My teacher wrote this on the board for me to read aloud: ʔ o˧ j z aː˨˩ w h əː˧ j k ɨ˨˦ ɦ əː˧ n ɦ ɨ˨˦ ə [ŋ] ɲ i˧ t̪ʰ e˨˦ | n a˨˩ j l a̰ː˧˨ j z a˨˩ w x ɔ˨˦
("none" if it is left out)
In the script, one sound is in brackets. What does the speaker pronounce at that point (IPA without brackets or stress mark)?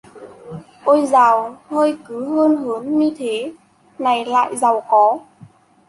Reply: n